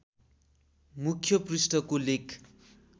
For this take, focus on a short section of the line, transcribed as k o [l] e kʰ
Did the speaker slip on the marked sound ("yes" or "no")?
no